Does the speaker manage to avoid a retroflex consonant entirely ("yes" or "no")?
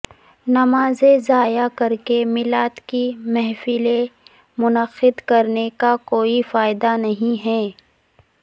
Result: yes